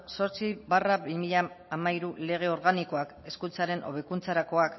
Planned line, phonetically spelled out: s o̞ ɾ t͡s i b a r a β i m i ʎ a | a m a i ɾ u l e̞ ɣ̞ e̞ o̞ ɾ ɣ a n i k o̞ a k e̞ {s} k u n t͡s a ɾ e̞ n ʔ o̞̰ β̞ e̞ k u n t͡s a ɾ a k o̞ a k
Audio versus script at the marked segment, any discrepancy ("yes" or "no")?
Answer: no